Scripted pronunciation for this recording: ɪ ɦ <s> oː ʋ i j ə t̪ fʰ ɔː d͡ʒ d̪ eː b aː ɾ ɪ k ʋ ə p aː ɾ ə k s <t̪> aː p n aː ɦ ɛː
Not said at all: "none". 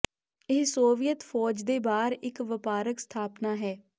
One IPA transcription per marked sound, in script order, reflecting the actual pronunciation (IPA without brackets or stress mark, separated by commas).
s, t̪ʰ